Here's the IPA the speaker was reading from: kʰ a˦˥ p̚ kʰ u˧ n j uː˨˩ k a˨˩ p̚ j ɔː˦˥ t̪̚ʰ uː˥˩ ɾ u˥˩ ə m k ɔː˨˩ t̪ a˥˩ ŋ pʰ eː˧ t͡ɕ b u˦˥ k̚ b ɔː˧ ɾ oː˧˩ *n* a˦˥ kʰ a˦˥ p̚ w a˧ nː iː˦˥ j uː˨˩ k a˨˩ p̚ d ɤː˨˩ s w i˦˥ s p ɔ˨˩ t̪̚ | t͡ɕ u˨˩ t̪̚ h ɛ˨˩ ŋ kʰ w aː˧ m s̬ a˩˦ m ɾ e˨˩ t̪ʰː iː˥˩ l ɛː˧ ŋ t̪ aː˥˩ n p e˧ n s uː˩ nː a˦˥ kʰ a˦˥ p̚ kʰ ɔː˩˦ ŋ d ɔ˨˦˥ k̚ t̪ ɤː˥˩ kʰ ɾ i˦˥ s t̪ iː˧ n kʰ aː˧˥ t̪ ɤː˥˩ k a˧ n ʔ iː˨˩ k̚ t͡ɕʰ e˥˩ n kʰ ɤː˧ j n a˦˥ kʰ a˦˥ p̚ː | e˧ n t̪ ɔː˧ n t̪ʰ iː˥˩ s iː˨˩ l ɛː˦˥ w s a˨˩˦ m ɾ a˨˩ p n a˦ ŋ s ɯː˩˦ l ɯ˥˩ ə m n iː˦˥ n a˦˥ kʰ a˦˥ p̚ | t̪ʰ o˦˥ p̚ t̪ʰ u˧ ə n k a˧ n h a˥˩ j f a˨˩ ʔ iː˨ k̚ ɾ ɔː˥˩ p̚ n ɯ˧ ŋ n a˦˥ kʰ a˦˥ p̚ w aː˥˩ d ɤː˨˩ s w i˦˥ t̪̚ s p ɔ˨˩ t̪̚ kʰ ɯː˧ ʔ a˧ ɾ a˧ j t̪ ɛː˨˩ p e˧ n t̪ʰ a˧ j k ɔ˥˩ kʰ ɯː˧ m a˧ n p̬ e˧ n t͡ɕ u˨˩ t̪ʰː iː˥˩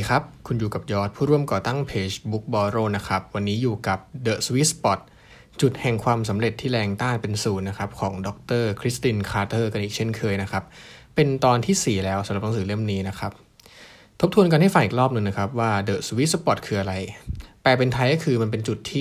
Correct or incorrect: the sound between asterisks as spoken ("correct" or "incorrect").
correct